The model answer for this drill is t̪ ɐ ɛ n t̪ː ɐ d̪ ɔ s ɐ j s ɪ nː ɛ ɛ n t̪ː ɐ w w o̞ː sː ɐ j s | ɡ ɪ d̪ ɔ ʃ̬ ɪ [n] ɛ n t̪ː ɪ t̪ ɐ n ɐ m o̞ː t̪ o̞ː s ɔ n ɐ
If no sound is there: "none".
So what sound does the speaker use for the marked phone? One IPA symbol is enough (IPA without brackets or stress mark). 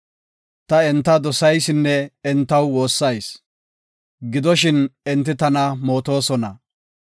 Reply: n